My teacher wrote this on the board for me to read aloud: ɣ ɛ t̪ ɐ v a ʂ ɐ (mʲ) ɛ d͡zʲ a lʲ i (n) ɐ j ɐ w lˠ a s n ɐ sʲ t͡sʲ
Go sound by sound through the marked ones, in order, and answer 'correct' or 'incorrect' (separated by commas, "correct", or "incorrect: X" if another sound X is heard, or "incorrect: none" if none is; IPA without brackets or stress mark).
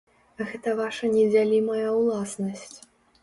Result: incorrect: nʲ, incorrect: m